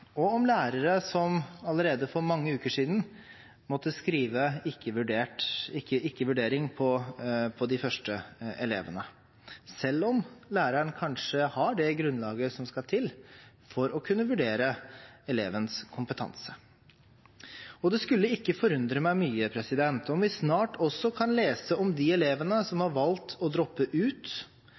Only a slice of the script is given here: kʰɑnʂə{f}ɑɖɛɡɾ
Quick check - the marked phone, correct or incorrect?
incorrect